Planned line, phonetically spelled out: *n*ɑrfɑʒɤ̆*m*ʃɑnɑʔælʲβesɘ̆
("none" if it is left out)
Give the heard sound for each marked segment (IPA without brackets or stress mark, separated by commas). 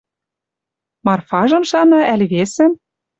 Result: m, m